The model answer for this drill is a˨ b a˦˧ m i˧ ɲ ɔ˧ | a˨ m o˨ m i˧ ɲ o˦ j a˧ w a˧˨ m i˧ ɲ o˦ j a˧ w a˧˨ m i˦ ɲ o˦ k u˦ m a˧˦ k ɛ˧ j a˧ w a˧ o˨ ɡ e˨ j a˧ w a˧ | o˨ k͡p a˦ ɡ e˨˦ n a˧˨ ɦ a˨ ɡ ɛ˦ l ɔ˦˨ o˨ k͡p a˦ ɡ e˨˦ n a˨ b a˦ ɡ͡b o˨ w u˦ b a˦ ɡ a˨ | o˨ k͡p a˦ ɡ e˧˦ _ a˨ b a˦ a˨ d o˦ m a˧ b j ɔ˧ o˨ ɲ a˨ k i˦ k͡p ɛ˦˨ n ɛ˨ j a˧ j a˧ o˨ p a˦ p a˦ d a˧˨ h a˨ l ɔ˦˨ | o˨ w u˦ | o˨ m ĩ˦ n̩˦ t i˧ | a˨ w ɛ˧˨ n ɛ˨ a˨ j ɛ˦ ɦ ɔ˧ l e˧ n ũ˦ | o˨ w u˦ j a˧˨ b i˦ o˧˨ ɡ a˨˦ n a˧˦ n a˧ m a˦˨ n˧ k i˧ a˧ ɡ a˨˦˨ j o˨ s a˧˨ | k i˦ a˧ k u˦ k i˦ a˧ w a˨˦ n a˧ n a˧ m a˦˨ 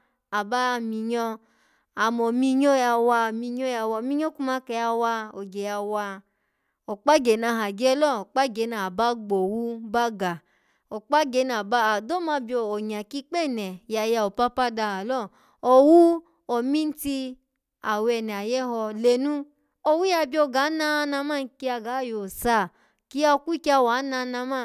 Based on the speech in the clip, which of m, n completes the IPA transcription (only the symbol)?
n